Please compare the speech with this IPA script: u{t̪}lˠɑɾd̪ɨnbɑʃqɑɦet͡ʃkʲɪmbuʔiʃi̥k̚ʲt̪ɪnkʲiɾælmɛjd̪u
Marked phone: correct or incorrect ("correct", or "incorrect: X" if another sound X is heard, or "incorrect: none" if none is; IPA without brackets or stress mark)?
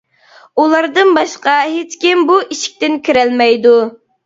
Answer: incorrect: none